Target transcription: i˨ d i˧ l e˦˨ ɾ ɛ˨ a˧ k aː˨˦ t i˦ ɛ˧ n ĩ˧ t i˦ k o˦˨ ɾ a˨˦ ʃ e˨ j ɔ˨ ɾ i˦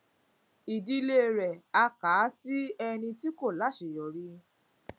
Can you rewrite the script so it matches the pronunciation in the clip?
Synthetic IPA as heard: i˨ d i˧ l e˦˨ ɾ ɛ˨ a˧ k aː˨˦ s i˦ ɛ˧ n ĩ˧ t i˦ k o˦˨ l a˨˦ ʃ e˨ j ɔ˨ ɾ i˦

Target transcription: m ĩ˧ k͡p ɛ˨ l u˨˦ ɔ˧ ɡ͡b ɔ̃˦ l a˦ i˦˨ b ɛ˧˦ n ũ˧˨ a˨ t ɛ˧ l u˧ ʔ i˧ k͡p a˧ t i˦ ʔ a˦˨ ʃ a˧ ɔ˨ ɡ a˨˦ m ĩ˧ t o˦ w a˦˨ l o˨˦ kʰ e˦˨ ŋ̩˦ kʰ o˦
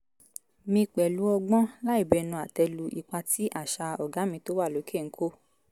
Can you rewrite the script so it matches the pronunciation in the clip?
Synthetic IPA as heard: m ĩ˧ k͡p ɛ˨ l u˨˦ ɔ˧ ɡ͡b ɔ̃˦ l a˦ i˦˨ b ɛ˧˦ n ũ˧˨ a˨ t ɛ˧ l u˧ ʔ i˧ k͡p a˧ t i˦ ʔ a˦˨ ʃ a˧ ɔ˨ ɡ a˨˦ m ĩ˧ t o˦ w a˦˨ l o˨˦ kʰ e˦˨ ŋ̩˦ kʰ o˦

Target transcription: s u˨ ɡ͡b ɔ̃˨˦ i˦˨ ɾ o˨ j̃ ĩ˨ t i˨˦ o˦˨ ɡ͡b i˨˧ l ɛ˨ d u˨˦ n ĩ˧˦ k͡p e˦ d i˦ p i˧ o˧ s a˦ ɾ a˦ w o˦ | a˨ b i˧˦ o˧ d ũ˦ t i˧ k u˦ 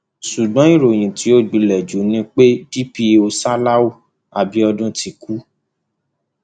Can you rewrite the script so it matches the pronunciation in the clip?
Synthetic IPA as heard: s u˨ ɡ͡b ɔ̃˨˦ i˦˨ ɾ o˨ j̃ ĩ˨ t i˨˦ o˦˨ ɡ͡b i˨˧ l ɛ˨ d͡ʒ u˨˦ n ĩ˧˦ k͡p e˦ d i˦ p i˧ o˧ s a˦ l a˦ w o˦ | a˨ b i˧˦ ɔ˧ d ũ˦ t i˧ k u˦

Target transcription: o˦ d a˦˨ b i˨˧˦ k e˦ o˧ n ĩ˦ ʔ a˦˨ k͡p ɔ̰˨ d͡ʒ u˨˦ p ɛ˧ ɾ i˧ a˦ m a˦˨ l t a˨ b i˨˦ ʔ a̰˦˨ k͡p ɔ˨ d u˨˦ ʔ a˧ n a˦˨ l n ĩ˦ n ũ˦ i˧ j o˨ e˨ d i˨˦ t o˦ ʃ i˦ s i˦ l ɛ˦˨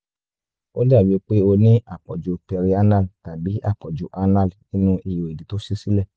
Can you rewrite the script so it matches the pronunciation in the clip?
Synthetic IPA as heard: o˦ d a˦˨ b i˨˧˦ k͡p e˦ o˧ n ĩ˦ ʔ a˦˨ k͡p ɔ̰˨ d͡ʒ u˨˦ p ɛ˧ ɾ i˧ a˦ n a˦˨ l t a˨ b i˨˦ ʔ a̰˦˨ k͡p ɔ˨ d͡ʒ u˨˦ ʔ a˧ n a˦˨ l n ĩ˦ n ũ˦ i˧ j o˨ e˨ d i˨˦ t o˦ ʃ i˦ s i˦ l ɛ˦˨

